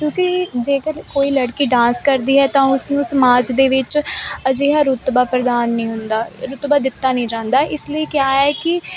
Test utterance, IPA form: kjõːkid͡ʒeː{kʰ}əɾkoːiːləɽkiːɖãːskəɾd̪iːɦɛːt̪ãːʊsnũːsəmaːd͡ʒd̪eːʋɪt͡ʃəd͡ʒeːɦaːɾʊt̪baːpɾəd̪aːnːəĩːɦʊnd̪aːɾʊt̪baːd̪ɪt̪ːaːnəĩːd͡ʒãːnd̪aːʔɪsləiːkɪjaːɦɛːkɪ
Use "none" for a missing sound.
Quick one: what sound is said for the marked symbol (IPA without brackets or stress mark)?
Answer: k